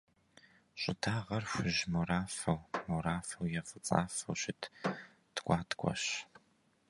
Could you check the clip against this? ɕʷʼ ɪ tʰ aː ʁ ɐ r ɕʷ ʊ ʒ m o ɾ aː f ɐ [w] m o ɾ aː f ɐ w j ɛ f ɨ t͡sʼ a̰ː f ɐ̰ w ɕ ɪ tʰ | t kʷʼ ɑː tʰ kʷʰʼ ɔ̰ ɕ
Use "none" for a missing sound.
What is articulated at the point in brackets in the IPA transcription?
w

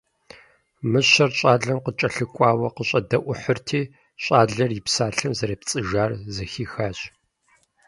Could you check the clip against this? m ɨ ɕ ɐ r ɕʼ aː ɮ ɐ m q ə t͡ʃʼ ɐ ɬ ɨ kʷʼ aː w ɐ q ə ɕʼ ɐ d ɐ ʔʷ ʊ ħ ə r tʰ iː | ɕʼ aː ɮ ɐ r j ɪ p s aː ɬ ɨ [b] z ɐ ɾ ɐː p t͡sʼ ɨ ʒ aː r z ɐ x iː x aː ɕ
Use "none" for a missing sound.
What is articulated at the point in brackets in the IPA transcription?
m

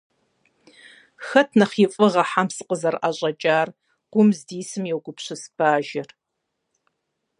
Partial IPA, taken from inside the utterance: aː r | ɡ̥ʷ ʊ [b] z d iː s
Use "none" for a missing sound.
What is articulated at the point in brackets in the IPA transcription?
m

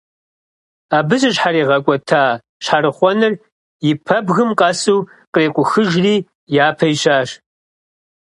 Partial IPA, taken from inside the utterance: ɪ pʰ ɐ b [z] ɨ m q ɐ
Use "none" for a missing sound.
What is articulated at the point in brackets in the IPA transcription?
ɣ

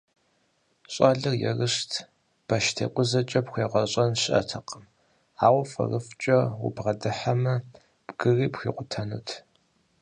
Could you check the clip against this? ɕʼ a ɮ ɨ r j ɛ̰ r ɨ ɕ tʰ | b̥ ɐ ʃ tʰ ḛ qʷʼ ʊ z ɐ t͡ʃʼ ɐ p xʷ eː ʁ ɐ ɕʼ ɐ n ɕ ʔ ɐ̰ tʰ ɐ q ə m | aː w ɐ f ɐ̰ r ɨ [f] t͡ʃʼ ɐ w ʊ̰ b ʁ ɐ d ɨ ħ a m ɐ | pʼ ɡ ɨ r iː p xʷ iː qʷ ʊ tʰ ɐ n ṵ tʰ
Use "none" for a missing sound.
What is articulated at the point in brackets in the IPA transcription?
f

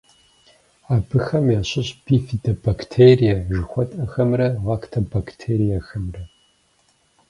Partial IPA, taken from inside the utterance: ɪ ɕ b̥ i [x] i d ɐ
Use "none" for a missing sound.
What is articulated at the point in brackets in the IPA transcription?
f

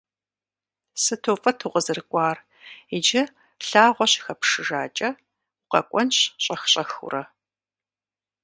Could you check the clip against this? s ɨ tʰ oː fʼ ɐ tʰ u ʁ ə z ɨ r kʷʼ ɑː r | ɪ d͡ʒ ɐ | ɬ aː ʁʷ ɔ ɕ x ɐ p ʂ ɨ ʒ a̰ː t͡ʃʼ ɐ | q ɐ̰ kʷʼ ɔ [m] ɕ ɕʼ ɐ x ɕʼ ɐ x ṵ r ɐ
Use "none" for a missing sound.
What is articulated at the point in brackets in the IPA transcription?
n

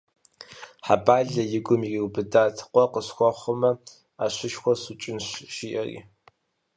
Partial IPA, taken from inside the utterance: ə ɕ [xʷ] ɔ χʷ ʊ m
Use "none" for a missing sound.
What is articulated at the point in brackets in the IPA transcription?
xʷ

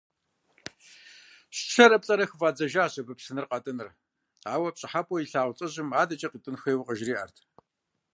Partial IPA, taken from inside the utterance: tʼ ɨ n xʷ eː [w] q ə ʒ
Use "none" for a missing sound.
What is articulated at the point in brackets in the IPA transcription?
w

